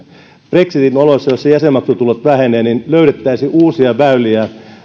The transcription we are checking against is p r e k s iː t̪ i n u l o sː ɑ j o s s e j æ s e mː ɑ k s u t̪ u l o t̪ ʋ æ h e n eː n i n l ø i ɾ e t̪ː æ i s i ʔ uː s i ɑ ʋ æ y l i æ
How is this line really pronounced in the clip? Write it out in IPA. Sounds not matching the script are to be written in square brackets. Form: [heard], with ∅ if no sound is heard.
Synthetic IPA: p r e k s [i] t̪ i n [o] l o sː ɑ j o s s e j æ s e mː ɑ k s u t̪ u l o t̪ ʋ æ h e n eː n i n l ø [y] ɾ e t̪ː æ i s i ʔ uː s i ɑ ʋ æ y l i æ